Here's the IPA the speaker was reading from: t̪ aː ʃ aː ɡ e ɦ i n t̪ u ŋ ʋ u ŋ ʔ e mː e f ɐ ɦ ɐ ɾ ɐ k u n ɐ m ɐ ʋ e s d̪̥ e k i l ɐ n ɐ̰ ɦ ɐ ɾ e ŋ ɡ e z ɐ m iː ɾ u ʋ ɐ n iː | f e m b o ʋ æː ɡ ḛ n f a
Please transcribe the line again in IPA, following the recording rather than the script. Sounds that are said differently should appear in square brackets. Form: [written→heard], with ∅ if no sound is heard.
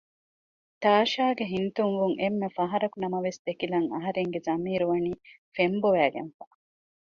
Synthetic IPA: t̪ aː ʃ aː ɡ e ɦ i n t̪ u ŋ ʋ u ŋ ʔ e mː e f ɐ ɦ ɐ ɾ ɐ k u n ɐ m ɐ ʋ e s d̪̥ e k i l ɐ [n→ŋ] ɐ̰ ɦ ɐ ɾ e ŋ ɡ e z ɐ m iː ɾ u ʋ ɐ n iː | f e m b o ʋ æː ɡ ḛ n f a